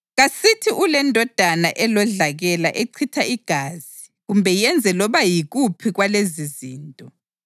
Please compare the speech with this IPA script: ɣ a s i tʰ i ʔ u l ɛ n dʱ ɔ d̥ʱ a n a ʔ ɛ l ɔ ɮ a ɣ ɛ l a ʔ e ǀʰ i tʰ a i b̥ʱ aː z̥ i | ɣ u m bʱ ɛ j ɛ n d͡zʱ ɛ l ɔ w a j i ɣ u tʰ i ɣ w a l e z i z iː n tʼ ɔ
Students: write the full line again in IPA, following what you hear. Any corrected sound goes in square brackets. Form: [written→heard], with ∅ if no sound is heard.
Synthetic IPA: ɣ a s i tʰ i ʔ u l ɛ n dʱ ɔ d̥ʱ a n a ʔ ɛ l ɔ ɮ a ɣ ɛ l a ʔ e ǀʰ i tʰ a i [b̥ʱ→ɡ̥ʱ] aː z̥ i | ɣ u m bʱ ɛ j ɛ n d͡zʱ ɛ l ɔ [w→β] a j i ɣ u [tʰ→pʰ] i ɣ w a l e z i z iː n tʼ ɔ